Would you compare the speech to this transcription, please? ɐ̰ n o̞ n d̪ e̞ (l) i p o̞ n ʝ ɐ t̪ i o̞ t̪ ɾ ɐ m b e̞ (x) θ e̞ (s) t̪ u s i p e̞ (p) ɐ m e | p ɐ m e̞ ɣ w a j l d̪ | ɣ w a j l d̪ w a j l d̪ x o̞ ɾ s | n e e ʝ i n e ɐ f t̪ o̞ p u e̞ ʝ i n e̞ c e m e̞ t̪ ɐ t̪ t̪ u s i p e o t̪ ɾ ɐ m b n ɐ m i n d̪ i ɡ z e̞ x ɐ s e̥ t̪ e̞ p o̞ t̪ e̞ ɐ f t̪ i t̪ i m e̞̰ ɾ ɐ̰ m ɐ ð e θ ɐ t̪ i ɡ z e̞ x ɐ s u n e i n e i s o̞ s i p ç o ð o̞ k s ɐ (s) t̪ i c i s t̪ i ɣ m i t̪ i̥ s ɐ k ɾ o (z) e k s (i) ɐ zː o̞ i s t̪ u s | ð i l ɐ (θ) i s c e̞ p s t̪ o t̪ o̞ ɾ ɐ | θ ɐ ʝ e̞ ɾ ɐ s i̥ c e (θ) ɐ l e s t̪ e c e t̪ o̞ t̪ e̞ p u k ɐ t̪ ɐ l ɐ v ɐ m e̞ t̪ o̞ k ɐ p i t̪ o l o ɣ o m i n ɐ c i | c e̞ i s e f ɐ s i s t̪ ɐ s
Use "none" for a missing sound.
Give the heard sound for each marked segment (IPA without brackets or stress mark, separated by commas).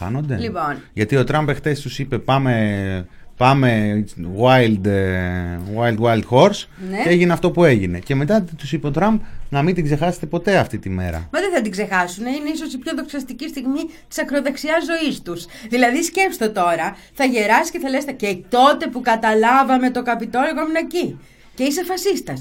l, x, s, p, s, ð, i, ð, θ